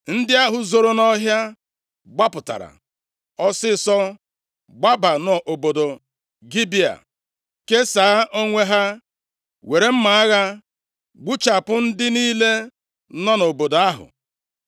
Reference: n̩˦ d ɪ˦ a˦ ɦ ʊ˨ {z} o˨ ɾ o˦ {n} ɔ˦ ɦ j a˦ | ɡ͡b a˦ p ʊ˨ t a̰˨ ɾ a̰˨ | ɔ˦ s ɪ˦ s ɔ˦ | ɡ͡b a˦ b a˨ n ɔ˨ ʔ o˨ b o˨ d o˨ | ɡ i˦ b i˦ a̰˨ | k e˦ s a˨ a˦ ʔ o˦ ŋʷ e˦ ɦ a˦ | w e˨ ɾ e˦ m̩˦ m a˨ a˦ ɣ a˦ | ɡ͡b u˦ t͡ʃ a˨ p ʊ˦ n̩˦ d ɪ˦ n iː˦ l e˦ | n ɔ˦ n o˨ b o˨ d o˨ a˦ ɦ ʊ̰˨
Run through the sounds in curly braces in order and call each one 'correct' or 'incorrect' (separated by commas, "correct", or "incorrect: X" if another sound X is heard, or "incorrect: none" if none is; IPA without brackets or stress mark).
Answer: correct, correct